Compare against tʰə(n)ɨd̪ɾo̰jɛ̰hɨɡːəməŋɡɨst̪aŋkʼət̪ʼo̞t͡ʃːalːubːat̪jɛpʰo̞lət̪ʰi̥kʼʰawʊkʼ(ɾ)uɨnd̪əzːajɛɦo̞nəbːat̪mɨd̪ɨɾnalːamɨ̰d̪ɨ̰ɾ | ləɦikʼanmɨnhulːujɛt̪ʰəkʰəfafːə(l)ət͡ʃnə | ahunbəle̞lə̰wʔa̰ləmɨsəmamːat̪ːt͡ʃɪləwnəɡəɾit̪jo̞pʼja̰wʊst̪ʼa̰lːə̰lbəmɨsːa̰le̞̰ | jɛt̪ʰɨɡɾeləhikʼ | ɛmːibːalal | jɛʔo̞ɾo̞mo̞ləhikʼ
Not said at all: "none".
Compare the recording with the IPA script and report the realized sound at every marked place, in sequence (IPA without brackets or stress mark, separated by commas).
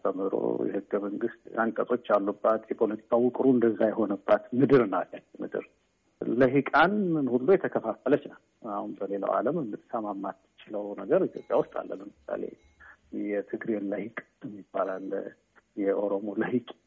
m, ɾ, l